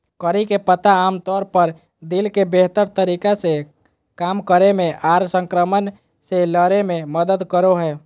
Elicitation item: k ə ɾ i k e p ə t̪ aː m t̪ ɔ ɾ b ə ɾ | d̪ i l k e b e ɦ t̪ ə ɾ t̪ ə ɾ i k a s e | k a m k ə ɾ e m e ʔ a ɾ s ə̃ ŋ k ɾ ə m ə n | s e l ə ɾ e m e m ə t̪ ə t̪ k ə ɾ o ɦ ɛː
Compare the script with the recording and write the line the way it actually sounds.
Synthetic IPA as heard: k ə ɾ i k e p ə t̪ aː m t̪ ɔ ɾ p ə ɾ | d̪ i l k e b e ɦ t̪ ə ɾ t̪ ə ɾ i k a s e | k a m k ə ɾ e m e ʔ a ɾ s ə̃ ŋ k ɾ ə m ə n | s e l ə ɾ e m e m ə d̪ ə d̪ k ə ɾ o ɦ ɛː